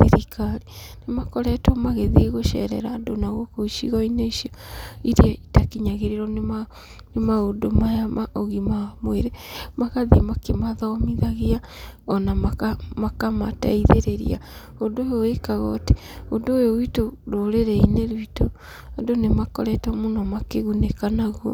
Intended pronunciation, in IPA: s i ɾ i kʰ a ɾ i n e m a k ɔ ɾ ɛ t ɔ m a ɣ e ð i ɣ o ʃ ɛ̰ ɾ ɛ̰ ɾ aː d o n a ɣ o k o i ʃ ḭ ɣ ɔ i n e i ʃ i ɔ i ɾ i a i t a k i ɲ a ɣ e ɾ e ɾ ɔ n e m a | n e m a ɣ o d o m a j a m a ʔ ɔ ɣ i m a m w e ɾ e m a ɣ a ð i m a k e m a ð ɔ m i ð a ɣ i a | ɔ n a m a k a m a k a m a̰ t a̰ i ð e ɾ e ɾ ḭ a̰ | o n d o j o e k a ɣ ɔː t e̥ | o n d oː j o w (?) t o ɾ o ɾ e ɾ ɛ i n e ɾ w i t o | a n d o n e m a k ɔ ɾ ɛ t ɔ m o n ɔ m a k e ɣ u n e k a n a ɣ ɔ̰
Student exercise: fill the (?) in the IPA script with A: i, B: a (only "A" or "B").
A